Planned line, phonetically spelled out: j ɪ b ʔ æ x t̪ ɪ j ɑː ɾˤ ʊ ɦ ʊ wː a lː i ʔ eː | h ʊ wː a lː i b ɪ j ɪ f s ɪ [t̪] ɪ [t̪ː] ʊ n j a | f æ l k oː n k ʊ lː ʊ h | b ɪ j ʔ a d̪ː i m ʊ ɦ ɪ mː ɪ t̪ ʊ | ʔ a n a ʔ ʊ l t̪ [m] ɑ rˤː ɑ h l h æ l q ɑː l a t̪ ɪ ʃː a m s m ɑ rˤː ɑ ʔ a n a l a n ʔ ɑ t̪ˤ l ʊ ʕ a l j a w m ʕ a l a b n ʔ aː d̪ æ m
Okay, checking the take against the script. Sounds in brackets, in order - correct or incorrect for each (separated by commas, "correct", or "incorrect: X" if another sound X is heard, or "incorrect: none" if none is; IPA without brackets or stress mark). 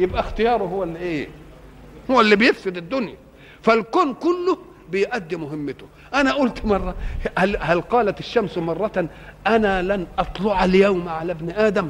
incorrect: d̪, incorrect: d̪ː, correct